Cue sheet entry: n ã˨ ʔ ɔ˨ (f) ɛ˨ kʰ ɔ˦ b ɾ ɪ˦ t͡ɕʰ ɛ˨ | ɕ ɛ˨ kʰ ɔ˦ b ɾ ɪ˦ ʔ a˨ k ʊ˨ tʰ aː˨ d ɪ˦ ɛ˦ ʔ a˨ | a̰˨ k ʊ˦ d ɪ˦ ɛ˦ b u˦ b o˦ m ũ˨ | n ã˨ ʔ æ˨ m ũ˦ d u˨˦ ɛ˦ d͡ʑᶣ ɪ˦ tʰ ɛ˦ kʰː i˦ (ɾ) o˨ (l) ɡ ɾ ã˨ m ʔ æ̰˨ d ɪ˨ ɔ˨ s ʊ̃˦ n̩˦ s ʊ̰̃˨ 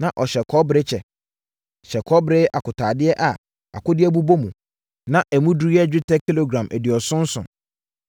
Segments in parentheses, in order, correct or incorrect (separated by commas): incorrect, incorrect, incorrect